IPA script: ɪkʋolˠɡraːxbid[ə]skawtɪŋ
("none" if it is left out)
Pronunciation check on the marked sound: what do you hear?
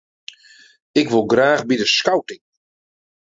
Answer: ə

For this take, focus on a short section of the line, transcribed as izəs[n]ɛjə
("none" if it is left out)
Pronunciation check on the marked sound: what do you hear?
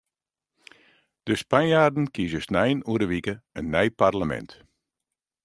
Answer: n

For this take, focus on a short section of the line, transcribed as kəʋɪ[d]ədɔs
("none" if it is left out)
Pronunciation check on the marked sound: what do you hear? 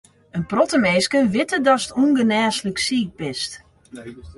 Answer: t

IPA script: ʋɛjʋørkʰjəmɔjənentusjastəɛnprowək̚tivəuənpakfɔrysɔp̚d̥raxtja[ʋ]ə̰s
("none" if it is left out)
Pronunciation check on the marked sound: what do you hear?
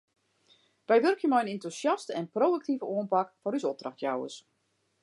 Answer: w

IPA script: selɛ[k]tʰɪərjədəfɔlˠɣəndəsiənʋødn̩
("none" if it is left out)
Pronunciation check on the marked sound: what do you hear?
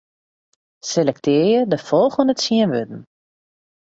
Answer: k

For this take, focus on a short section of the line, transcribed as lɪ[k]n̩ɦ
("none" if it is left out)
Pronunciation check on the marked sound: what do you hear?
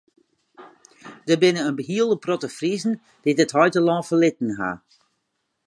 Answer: t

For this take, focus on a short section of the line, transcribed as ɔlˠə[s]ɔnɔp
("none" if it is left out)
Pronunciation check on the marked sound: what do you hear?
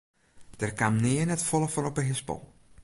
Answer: f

